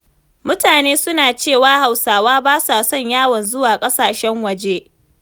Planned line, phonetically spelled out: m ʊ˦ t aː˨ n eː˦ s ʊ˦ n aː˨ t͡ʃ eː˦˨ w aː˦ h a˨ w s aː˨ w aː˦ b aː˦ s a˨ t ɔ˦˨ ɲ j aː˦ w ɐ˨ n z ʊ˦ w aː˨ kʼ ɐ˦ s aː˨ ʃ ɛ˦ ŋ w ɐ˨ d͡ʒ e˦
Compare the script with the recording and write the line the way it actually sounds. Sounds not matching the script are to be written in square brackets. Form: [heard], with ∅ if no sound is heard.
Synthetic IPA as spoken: m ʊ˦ t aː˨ n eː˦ s ʊ˦ n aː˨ t͡ʃ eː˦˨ w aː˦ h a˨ w s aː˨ w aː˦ b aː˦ s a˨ [s] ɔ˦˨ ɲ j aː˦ w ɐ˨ n z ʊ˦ w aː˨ kʼ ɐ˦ s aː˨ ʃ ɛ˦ ŋ w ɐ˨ d͡ʒ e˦

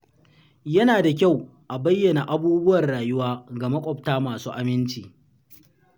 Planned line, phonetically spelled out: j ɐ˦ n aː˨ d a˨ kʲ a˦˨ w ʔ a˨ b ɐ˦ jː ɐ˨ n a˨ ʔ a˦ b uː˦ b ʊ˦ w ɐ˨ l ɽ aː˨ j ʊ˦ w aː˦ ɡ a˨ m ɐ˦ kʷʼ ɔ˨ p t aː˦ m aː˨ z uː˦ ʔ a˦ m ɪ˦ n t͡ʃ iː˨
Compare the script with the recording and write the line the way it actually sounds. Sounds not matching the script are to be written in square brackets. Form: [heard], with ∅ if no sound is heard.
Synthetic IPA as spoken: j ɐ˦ n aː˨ d a˨ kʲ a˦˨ w ʔ a˨ b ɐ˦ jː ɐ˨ n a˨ ʔ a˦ b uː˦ b ʊ˦ w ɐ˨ [r] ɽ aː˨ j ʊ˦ w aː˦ ɡ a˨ m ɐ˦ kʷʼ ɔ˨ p t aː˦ m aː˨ [s] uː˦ ʔ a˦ m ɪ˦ n t͡ʃ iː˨

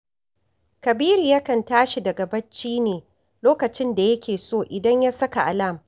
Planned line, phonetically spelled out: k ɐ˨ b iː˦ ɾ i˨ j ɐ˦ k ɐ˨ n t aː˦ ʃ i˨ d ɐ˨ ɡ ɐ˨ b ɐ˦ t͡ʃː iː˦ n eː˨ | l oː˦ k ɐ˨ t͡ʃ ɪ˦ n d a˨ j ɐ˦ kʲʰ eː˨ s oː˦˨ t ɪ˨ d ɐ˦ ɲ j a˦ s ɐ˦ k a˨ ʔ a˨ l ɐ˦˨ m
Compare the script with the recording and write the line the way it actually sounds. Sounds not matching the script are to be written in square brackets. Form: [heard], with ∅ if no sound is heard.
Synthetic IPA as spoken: k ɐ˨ b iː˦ ɾ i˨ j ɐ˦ k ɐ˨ n t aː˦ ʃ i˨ d ɐ˨ ɡ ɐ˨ b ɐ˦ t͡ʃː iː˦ n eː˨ | l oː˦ k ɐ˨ t͡ʃ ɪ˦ n d a˨ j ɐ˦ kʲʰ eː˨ s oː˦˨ [ʔ] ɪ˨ d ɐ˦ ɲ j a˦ s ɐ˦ k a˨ ʔ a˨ l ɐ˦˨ m

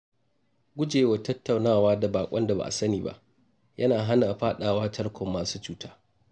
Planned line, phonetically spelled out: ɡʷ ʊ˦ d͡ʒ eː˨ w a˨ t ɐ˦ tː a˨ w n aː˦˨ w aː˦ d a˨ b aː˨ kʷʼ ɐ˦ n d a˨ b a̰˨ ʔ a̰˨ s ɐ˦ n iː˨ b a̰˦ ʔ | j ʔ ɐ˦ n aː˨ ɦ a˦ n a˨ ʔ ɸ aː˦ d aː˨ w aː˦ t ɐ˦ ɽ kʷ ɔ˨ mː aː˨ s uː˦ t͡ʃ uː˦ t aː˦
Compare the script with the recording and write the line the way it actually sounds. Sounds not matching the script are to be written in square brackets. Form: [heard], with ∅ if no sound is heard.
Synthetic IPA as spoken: ɡʷ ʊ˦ d͡ʒ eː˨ w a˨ t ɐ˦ tː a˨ w n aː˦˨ w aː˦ d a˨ b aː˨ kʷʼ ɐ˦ n d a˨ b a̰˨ ʔ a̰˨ s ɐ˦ n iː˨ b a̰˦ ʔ | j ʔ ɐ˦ n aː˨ ɦ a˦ n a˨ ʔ ɸ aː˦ [ɗ] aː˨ w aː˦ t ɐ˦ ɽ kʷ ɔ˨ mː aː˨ s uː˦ t͡ʃ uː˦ t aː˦

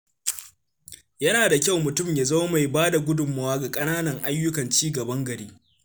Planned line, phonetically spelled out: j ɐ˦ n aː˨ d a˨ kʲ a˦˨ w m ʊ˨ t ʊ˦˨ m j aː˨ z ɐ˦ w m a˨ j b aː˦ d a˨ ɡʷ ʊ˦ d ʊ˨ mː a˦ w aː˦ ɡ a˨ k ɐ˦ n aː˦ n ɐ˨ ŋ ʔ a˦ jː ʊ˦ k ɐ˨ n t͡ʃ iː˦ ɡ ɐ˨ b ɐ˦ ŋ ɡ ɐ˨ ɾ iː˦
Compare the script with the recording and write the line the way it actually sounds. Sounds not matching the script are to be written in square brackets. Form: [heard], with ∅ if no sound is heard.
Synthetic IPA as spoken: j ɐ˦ n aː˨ d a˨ kʲ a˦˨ w m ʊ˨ t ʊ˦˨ m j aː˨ z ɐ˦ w m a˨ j b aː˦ d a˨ ɡʷ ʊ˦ d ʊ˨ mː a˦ w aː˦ ɡ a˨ [kʼ] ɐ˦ n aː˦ n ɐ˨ ŋ ʔ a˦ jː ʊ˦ k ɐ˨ n t͡ʃ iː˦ ɡ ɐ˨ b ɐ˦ ŋ ɡ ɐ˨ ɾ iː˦

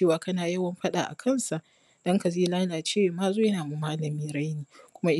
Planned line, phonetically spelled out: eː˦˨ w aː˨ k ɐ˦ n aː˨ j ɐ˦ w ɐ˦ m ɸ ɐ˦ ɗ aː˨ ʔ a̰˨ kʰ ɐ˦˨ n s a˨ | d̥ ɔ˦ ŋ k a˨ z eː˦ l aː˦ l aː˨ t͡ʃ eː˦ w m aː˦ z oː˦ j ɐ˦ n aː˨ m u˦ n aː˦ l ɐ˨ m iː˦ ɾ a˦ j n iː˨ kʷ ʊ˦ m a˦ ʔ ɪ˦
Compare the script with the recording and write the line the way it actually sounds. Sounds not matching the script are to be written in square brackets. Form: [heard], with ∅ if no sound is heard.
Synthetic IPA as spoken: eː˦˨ w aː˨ k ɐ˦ n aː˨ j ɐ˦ w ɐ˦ m ɸ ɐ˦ ɗ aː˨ ʔ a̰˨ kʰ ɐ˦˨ n s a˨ | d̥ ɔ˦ ŋ k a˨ z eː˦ l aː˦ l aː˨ t͡ʃ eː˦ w m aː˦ z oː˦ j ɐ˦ n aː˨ m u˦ [m] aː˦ l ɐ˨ m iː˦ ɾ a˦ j n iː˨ kʷ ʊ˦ m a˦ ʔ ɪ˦

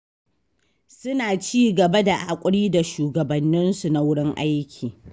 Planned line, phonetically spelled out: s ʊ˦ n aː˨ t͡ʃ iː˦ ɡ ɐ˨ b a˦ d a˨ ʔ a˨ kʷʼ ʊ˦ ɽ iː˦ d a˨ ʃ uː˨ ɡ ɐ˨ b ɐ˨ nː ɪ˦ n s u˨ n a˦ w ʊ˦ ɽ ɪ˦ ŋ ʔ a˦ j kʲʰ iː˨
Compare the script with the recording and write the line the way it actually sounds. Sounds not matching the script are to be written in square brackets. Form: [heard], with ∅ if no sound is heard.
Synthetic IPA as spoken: s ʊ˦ n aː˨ t͡ʃ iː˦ ɡ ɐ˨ b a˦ d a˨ ʔ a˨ kʷʼ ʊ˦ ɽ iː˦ d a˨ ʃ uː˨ ɡ ɐ˨ b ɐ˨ nː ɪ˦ n s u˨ n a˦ w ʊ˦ ɽ ɪ˦ ŋ ʔ a˦ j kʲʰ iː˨

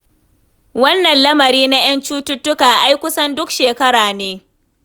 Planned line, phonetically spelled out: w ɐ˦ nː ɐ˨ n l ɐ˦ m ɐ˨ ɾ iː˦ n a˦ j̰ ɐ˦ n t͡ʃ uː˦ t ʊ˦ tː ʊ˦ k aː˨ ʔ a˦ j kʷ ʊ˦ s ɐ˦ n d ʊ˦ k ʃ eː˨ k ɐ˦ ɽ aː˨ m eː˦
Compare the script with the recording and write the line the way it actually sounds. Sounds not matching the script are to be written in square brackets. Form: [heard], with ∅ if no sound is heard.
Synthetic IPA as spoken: w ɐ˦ nː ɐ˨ n l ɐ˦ m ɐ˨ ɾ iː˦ n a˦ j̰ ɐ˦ n t͡ʃ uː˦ t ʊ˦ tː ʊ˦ k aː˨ ʔ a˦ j kʷ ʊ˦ s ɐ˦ n d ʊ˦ k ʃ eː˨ k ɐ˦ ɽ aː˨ [n] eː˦

